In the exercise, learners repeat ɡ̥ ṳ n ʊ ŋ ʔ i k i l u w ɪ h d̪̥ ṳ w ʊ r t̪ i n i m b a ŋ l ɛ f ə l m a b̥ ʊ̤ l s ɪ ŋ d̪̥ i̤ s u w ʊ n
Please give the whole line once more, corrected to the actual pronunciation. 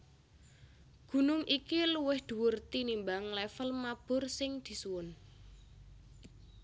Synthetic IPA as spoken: ɡ̥ ṳ n ʊ ŋ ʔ i k i l u w ɪ h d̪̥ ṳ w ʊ r t̪ i n i m b a ŋ l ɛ f ə l m a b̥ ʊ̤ r s ɪ ŋ d̪̥ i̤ s u w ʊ n